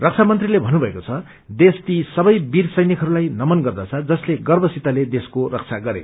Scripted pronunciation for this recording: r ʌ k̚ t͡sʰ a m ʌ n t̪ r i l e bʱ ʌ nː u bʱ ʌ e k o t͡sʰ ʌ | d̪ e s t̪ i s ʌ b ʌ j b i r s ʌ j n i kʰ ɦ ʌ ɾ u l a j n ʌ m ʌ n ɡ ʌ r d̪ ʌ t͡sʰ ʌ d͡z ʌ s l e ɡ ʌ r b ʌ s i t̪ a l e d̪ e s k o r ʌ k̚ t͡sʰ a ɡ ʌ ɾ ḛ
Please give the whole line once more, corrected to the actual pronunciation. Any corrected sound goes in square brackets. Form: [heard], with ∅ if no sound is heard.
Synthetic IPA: r ʌ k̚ t͡sʰ a m ʌ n t̪ r i l e bʱ ʌ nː u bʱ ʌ e k o t͡sʰ ʌ | d̪ e s t̪ i s ʌ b ʌ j b i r s ʌ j n i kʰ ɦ ʌ ɾ u l a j n ʌ m ʌ n ɡ ʌ r d̪ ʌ t͡sʰ ʌ d͡z ʌ s l e ɡ ʌ r b ʌ s i t̪ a l e d̪ e s k o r ʌ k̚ t͡sʰ a ɡ ʌ ɾ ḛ